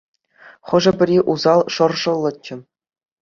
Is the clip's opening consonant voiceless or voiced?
voiceless